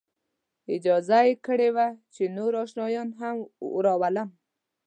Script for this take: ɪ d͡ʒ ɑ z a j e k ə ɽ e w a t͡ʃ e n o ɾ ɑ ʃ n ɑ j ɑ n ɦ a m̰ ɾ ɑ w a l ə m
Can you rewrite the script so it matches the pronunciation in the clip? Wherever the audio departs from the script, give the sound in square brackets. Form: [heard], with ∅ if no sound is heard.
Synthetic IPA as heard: ɪ d͡ʒ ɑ z a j e k ə ɽ e w a t͡ʃ e n o ɾ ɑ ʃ n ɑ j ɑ n ɦ a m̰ ɾ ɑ w a l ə m